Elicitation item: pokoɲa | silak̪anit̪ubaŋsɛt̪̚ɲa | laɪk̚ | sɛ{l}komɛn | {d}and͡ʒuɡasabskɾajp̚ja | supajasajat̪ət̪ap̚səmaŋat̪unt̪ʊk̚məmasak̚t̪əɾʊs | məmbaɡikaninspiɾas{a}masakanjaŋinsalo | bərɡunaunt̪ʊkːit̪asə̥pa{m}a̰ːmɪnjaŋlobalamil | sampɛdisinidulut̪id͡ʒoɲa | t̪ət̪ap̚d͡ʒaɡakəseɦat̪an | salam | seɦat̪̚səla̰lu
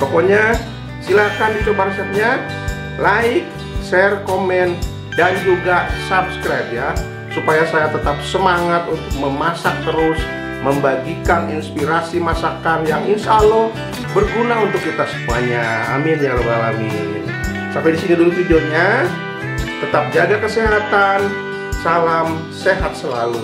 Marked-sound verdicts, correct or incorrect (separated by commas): incorrect, correct, incorrect, incorrect